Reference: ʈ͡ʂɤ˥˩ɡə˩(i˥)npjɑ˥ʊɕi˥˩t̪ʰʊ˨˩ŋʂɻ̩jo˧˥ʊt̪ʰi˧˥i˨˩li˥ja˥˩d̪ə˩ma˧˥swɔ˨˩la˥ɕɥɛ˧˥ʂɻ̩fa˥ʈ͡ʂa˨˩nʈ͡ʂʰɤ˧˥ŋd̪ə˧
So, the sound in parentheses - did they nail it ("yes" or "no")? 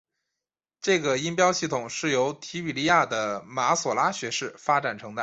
yes